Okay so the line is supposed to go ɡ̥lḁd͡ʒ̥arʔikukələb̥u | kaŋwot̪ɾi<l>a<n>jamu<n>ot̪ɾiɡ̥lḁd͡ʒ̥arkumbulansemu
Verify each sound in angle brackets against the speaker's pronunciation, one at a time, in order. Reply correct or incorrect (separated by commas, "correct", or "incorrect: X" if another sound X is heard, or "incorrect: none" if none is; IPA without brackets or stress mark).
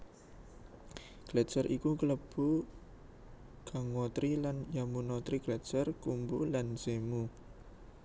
correct, correct, correct